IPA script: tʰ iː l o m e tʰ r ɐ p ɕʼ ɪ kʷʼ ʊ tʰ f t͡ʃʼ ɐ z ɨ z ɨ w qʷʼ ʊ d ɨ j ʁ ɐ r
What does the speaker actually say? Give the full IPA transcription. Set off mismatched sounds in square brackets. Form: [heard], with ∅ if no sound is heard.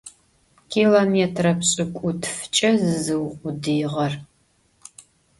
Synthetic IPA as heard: [kʰ] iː l o m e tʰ r ɐ p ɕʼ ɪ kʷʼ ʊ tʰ f t͡ʃʼ ɐ z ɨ z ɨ w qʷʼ ʊ d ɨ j ʁ ɐ r

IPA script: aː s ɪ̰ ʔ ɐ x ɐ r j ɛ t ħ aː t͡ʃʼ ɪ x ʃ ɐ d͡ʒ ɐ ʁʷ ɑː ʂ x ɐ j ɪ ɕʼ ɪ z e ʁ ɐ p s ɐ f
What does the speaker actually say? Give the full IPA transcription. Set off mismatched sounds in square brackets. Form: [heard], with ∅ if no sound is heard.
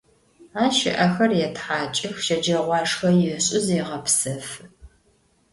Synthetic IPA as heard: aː [ʃ] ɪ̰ ʔ ɐ x ɐ r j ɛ t ħ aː t͡ʃʼ ɪ x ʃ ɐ d͡ʒ ɐ ʁʷ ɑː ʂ x ɐ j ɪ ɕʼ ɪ z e ʁ ɐ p s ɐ f

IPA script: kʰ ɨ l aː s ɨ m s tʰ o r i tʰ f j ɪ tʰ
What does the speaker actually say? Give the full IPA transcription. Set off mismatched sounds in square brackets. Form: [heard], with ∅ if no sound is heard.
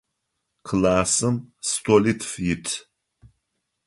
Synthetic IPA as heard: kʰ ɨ l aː s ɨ m s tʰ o [l] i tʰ f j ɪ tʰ

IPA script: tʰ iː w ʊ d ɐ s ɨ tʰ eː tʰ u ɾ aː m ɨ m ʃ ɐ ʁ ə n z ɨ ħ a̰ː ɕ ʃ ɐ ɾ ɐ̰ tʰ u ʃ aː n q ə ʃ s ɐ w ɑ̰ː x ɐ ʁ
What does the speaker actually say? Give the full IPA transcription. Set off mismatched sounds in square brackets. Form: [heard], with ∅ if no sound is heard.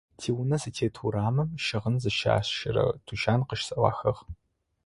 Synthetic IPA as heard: tʰ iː w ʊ [n] ɐ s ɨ tʰ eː tʰ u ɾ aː m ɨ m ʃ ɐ ʁ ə n z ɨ [ʃ] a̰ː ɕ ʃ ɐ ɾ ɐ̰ tʰ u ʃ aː n q ə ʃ s ɐ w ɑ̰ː x ɐ ʁ

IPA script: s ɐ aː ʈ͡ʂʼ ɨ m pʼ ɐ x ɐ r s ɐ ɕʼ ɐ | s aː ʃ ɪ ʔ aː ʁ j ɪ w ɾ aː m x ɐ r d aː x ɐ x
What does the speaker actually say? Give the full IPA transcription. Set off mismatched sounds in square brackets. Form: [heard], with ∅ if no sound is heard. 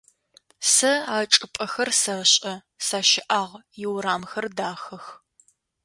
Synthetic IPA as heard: s ɐ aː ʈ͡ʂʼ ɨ [∅] pʼ ɐ x ɐ r s ɐ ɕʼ ɐ | s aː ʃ ɪ ʔ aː ʁ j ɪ w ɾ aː m x ɐ r d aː x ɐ x

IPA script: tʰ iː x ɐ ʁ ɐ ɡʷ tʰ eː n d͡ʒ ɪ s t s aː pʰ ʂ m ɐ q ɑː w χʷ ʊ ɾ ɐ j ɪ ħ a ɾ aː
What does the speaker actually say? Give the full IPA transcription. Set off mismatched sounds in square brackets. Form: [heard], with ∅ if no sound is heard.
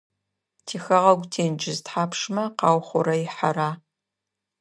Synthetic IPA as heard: tʰ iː x ɐ ʁ ɐ ɡʷ tʰ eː n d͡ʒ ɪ [z] t [ħ] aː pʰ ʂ m ɐ q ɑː w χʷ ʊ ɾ ɐ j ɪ ħ a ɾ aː

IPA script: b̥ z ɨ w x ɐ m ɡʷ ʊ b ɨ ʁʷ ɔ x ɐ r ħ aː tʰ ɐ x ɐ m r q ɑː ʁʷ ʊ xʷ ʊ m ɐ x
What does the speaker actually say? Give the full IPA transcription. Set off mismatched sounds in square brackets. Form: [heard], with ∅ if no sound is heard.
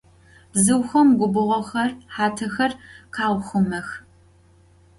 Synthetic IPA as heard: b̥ z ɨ w x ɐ m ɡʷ ʊ b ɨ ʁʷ ɔ x ɐ r ħ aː tʰ ɐ x ɐ [∅] r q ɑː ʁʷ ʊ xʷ ʊ m ɐ x

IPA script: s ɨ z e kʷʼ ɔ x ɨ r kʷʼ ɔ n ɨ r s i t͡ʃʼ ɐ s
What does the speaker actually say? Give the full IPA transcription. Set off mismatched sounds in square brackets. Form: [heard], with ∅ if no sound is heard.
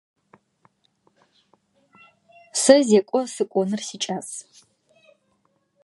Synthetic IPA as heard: s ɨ z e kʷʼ ɔ [s] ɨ [∅] kʷʼ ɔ n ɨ r s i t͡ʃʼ [a] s

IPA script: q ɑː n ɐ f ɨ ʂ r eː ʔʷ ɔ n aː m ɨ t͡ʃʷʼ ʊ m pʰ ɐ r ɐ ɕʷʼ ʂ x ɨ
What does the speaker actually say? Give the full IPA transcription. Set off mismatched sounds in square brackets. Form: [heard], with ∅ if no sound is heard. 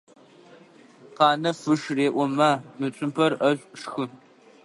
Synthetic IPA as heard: q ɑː n ɐ f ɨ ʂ r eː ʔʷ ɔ [m] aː m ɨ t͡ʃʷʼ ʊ m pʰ ɐ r ɐ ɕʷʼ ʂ x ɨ

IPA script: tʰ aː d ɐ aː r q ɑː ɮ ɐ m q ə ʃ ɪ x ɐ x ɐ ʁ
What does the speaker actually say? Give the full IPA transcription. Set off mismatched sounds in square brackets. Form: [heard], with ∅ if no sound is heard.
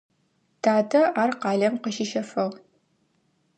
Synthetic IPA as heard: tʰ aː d ɐ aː r q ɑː ɮ ɐ m q ə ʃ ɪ [ʃ] ɐ [f] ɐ ʁ

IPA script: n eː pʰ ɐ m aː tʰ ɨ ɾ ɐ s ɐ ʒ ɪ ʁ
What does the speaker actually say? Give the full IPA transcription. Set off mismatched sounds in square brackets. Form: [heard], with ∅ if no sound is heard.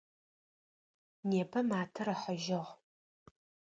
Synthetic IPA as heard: n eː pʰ ɐ m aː tʰ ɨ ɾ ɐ [ħ] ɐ ʒ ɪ ʁ

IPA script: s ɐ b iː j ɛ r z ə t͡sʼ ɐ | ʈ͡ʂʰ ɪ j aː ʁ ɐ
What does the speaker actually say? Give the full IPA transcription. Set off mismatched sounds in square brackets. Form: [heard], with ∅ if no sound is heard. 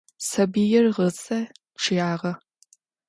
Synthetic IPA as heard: s ɐ b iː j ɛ r [ʁ] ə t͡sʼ ɐ | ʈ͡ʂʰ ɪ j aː ʁ ɐ

